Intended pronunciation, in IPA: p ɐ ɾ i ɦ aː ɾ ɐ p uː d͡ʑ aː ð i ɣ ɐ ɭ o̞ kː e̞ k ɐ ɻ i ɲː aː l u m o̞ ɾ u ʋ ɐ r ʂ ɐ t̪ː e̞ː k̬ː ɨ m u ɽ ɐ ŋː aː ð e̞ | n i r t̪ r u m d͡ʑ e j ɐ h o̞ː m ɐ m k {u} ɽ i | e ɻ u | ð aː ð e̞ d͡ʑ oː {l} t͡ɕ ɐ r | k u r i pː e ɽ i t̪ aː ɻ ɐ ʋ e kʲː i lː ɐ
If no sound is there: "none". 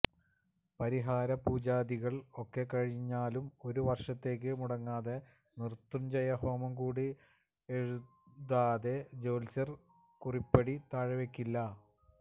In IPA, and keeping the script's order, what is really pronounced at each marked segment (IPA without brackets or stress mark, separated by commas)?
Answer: uː, l